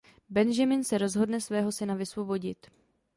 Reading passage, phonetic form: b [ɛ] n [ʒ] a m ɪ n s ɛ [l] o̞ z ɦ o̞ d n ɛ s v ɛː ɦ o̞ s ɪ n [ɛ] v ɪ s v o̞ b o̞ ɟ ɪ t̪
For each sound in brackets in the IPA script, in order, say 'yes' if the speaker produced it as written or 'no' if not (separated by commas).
yes, yes, no, no